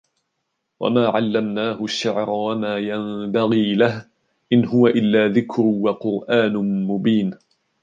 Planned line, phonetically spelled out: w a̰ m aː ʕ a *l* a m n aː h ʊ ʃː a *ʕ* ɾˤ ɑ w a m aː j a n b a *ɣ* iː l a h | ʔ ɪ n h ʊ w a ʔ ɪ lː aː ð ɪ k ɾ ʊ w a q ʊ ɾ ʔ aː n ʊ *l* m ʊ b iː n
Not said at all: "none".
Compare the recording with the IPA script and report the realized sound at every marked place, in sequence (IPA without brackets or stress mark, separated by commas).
lː, ʕ, ɣ, none